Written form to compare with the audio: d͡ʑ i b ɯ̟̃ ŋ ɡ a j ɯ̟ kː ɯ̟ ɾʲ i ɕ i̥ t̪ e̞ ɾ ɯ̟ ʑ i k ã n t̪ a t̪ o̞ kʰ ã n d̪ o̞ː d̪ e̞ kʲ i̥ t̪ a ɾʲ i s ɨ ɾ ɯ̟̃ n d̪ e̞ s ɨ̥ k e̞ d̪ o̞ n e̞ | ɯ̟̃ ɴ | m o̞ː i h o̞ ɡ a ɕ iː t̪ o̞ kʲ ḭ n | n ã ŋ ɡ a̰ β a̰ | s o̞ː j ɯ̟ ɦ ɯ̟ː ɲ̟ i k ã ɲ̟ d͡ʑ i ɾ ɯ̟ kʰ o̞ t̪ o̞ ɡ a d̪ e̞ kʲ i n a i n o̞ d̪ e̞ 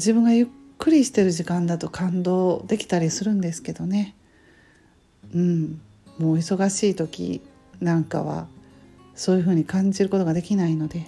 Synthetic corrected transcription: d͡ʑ i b ɯ̟̃ ŋ ɡ a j ɯ̟ kː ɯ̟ ɾʲ i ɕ i̥ t̪ e̞ ɾ ɯ̟ ʑ i k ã n d̪ a t̪ o̞ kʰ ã n d̪ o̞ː d̪ e̞ kʲ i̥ t̪ a ɾʲ i s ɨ ɾ ɯ̟̃ n d̪ e̞ s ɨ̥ k e̞ d̪ o̞ n e̞ | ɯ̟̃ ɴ | m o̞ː i s o̞ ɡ a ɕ iː t̪ o̞ kʲ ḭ | n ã ŋ k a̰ β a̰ | s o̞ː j ɯ̟ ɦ ɯ̟ː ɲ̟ i k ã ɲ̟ d͡ʑ i ɾ ɯ̟ k o̞ t̪ o̞ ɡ a d̪ e̞ kʲ i n a i n o̞ d̪ e̞